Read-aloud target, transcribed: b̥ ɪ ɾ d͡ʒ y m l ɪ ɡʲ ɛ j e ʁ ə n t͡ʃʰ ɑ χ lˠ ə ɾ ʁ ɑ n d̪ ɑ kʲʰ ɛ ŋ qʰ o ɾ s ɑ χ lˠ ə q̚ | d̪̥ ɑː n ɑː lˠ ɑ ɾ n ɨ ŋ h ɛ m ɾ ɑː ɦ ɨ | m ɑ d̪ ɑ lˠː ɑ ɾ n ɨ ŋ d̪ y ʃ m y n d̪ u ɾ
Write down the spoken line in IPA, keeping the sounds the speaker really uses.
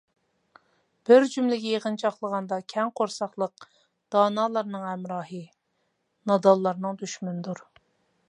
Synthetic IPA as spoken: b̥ ɪ ɾ d͡ʒ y m l ɪ ɡʲ ɛ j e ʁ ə n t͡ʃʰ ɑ χ lˠ ə ʁ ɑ n d̪ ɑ kʲʰ ɛ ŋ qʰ o ɾ s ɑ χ lˠ ə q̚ | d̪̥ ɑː n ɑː lˠ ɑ ɾ n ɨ ŋ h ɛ m ɾ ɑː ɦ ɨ | n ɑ d̪ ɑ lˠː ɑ ɾ n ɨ ŋ d̪ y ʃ m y n d̪ u ɾ